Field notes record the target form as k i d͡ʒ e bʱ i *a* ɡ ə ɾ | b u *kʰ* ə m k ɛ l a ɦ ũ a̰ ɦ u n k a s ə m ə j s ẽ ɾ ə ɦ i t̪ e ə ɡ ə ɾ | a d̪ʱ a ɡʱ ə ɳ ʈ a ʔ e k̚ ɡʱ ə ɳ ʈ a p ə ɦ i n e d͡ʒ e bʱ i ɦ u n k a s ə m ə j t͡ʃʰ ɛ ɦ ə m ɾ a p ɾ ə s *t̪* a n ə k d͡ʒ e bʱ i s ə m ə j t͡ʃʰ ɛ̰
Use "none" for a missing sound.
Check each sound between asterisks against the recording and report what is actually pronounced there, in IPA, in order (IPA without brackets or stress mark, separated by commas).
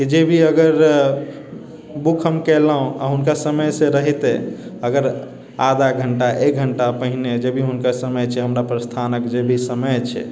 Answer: ə, kʰ, t̪ʰ